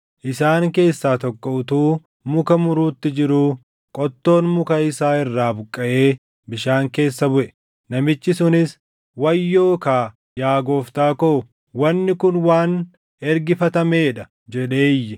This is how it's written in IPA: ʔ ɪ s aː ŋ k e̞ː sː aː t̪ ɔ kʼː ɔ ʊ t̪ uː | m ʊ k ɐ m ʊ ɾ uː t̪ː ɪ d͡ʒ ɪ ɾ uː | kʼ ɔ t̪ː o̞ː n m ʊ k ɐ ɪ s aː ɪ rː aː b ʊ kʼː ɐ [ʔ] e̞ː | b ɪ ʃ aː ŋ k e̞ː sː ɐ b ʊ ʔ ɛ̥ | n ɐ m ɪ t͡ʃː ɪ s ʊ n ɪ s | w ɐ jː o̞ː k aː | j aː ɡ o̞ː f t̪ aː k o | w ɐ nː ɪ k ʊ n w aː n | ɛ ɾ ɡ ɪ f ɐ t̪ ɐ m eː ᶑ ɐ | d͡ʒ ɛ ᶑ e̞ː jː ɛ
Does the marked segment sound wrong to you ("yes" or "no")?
no